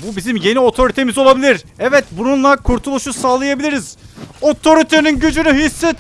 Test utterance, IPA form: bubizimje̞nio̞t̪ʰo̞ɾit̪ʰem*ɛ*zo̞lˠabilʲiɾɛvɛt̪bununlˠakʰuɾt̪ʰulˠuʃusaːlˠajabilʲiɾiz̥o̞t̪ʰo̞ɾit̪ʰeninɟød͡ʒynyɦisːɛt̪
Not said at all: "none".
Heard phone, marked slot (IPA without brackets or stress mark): i